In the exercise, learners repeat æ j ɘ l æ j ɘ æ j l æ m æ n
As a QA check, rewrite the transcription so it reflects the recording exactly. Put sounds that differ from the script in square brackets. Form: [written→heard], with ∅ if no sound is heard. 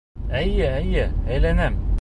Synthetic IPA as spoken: æ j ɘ [l→∅] æ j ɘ æ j l æ [m→n] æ [n→m]